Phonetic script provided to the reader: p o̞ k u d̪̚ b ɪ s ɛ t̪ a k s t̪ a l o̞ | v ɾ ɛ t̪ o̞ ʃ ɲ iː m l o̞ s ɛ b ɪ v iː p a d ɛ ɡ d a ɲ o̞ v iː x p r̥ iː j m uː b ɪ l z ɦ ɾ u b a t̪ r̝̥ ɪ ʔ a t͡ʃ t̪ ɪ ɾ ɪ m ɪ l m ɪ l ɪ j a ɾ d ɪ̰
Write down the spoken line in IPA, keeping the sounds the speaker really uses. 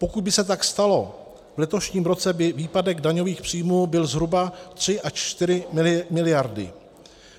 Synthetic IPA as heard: p o̞ k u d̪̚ b ɪ s ɛ t̪ a k s t̪ a l o̞ | v l ɛ t̪ o̞ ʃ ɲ iː m ɾ o̞ t͡s ɛ b ɪ v iː p a d ɛ ɡ d a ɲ o̞ v iː x p r̥ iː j m uː b ɪ l z ɦ ɾ u b a t̪ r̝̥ ɪ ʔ a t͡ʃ t̪ ɪ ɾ ɪ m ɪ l m ɪ l ɪ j a ɾ d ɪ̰